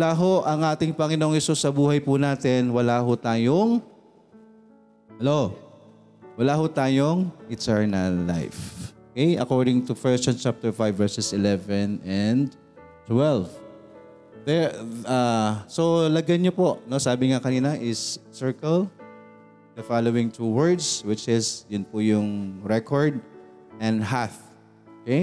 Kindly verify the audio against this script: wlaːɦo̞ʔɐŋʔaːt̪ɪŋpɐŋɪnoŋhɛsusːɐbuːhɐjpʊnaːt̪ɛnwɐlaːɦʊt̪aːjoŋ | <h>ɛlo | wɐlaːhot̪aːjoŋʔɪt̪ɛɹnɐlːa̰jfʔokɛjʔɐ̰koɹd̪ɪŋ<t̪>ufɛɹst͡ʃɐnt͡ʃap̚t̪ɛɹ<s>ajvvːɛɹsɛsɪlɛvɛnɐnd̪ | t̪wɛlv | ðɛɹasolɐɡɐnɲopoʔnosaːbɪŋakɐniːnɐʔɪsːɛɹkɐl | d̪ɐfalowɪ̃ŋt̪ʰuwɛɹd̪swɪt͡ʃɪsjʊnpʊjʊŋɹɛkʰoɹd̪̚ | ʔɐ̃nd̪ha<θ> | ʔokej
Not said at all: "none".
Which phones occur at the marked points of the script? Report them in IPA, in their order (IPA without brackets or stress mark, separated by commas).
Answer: h, t̪, f, θ